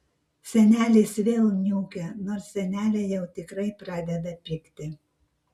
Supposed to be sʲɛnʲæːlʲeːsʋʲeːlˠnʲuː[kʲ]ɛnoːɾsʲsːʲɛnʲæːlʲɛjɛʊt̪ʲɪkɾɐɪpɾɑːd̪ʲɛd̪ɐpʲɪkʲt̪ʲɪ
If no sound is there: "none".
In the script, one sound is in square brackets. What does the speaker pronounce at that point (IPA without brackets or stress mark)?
kʲ